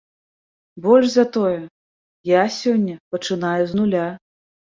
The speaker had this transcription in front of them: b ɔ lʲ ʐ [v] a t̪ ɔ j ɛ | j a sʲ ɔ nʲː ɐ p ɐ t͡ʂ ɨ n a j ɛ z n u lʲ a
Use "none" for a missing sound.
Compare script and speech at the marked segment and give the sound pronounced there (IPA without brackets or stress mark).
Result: z